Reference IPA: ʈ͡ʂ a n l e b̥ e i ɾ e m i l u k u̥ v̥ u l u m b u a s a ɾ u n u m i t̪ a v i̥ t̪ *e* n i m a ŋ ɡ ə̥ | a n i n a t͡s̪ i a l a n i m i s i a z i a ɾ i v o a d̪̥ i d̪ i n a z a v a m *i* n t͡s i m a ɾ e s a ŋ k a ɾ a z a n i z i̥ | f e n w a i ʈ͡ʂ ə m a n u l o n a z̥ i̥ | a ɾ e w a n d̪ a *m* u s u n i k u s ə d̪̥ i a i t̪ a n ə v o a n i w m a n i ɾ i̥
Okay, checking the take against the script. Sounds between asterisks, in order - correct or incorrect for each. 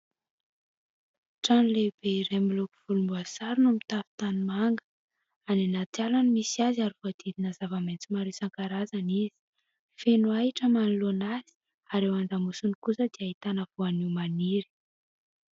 incorrect: a, incorrect: e, correct

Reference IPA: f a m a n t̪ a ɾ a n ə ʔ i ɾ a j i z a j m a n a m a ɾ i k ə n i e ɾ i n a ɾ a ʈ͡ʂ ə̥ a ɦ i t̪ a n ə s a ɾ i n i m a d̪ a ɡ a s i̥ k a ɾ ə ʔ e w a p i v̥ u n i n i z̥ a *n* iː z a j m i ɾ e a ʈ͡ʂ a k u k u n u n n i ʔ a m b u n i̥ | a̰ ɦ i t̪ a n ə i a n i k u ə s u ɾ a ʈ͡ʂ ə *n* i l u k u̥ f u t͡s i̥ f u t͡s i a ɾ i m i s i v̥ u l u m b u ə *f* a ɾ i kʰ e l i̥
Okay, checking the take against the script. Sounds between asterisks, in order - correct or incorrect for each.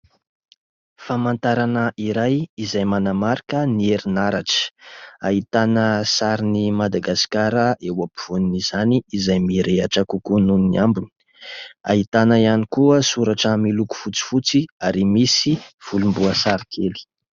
correct, incorrect: m, incorrect: s

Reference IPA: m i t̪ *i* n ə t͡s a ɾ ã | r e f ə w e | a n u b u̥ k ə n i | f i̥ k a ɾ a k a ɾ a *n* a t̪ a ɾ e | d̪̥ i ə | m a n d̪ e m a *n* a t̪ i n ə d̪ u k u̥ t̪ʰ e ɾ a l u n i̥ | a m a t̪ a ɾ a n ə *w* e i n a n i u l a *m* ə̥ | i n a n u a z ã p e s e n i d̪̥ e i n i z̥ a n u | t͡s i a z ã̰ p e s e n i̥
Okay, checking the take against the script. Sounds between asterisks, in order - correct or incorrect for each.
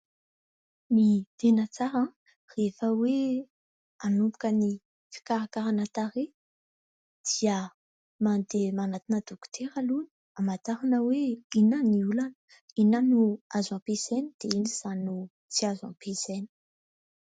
incorrect: e, correct, correct, correct, incorrect: n

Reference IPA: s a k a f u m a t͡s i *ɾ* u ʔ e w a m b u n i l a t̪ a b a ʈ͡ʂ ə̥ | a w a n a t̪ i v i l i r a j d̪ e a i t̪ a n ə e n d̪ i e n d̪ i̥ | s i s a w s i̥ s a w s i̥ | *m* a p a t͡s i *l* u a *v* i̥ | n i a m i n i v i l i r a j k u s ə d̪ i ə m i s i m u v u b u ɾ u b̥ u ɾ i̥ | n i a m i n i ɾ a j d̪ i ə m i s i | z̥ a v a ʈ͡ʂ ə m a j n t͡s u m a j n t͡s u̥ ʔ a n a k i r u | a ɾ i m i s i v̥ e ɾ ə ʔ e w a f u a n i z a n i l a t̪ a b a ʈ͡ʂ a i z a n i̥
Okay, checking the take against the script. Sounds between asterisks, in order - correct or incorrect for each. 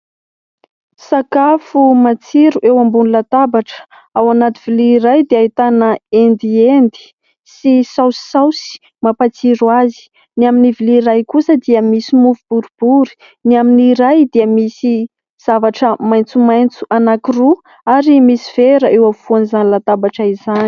correct, correct, incorrect: ɾ, incorrect: z

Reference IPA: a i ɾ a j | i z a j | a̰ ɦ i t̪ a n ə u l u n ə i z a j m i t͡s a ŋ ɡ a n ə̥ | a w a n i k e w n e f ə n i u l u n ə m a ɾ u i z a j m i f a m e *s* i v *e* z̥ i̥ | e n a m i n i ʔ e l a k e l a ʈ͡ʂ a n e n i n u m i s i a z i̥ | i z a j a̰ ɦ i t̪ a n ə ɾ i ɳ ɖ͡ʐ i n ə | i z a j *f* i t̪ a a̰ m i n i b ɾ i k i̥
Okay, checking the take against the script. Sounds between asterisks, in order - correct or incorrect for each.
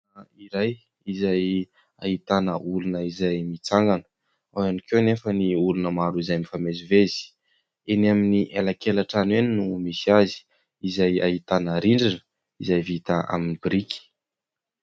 incorrect: z, correct, incorrect: v

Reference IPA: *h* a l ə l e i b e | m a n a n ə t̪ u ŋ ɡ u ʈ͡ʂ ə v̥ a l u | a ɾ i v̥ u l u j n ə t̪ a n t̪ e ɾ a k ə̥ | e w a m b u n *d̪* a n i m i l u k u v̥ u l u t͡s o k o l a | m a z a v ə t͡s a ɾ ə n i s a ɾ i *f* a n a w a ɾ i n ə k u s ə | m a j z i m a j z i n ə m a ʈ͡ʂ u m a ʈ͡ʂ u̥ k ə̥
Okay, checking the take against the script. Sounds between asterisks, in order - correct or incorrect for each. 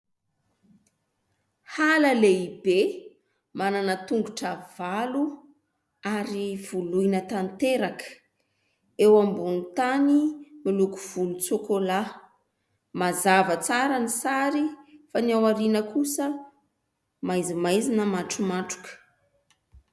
correct, incorrect: t̪, correct

